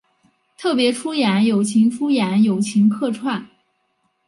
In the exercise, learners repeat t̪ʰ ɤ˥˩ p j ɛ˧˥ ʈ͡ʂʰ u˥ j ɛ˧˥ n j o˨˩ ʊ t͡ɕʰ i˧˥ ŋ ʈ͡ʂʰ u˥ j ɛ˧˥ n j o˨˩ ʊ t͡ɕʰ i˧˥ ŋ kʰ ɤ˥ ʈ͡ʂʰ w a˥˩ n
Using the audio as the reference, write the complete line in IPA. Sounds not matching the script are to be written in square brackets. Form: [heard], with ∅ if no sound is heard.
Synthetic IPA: t̪ʰ ɤ˥˩ p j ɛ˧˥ ʈ͡ʂʰ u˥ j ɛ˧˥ n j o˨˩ ʊ t͡ɕʰ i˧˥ ŋ ʈ͡ʂʰ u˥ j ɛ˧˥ n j o˨˩ ʊ t͡ɕʰ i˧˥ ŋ kʰ [ɤ˥˧] ʈ͡ʂʰ w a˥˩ n